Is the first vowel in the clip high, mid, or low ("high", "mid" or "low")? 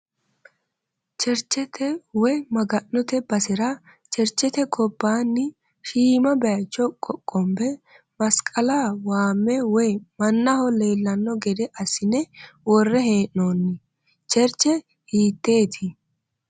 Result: mid